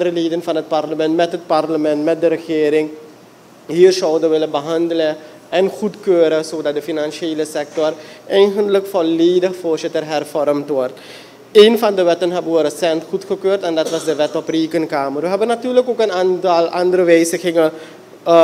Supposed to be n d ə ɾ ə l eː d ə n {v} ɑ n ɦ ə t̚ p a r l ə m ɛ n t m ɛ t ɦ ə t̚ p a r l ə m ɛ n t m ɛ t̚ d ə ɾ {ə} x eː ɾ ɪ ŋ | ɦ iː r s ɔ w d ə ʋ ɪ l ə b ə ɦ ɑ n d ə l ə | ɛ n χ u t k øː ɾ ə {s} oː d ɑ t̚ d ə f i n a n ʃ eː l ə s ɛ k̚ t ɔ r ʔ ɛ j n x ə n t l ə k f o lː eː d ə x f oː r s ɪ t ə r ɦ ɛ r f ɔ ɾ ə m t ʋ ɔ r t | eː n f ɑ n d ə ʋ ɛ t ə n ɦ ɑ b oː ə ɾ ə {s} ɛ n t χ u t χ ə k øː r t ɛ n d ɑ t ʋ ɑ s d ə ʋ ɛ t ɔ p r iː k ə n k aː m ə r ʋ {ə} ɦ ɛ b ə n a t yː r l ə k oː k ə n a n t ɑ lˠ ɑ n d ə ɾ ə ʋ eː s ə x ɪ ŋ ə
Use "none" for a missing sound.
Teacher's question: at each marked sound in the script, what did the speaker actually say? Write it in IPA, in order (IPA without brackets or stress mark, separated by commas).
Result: f, ə, s, s, ə